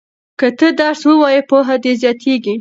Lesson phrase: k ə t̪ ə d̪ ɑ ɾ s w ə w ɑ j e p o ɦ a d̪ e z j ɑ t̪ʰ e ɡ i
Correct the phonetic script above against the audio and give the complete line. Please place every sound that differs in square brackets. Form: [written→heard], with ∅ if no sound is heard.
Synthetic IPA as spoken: k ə t̪ ə d̪ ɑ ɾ s w ə w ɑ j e p o ɦ a d̪ e z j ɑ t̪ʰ e ɡ i